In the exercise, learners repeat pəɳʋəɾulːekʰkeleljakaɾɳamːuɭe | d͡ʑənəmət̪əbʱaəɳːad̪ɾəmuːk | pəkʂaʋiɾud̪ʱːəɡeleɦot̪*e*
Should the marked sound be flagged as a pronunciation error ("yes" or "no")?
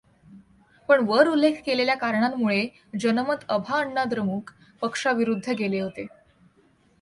no